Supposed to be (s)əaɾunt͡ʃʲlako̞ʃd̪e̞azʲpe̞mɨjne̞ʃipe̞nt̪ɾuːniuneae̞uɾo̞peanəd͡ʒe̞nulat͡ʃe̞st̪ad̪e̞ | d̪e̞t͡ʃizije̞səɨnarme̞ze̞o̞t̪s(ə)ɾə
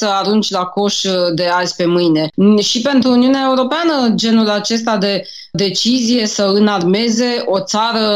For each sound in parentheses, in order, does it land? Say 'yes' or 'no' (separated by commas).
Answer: yes, no